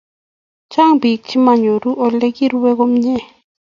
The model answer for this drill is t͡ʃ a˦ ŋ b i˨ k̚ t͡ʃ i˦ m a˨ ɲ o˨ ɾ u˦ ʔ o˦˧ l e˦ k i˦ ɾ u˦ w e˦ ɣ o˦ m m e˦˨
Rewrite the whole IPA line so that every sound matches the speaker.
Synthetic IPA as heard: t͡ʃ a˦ ŋ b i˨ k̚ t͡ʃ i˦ m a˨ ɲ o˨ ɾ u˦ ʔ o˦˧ l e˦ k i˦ ɾ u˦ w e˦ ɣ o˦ m ɲ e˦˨